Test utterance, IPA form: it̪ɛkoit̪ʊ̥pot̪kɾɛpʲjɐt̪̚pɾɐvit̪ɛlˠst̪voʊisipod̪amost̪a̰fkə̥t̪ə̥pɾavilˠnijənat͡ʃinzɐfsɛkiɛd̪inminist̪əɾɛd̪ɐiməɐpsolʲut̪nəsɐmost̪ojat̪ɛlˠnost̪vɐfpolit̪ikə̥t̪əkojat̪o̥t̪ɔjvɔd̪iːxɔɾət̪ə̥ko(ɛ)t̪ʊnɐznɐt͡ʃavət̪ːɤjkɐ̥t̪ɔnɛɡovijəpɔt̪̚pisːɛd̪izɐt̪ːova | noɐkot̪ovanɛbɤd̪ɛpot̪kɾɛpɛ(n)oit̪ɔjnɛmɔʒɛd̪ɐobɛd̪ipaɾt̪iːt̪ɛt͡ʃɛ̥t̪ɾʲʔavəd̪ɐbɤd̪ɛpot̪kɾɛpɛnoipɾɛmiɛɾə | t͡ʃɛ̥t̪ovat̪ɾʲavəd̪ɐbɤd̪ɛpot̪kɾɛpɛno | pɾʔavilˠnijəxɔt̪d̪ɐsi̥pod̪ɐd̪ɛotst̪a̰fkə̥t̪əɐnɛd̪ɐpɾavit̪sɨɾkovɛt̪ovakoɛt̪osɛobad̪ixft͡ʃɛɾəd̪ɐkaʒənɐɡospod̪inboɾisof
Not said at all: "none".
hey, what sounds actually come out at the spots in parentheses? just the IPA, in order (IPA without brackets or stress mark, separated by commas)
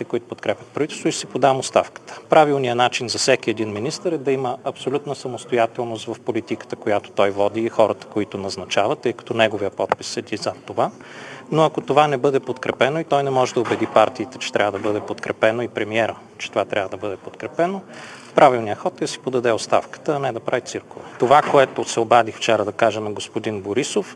i, n